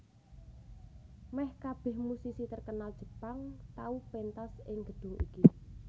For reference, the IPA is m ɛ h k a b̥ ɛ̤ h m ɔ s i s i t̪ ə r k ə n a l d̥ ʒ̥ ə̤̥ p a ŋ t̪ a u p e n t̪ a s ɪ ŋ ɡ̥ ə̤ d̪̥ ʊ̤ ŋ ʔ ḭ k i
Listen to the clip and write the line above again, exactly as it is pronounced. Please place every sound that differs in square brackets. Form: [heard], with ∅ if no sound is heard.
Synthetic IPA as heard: m ɛ h k a b̥ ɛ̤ h m [u] s i s i t̪ ə r k ə n a l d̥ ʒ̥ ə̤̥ p a ŋ t̪ a u p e n t̪ a s ɪ ŋ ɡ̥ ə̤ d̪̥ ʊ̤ ŋ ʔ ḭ k i